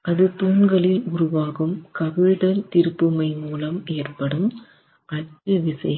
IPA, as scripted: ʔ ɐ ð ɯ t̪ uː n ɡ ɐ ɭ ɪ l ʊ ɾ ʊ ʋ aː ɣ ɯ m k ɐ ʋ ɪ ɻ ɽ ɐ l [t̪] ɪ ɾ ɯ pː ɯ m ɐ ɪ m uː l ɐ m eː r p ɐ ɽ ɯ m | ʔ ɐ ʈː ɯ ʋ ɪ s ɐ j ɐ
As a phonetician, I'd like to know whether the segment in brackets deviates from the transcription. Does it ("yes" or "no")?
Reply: no